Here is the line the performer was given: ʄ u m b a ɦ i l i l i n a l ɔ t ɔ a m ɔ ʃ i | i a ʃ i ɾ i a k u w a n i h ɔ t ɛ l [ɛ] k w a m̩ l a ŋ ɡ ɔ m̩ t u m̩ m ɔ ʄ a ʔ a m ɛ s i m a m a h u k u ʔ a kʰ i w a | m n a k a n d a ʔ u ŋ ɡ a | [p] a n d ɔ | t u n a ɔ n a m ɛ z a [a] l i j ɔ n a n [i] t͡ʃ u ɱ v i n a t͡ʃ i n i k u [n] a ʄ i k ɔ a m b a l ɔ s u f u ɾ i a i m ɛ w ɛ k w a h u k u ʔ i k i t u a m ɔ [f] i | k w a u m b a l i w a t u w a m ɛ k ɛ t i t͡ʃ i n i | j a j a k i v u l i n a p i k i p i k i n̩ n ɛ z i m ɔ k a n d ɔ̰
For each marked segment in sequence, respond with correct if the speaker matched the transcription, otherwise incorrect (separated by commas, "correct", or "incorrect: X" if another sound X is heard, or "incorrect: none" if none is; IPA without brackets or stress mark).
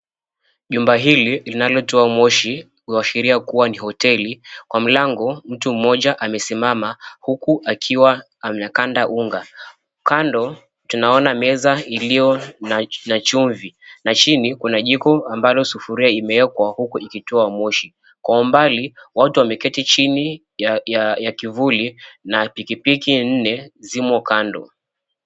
incorrect: i, incorrect: k, incorrect: i, incorrect: a, correct, incorrect: ʃ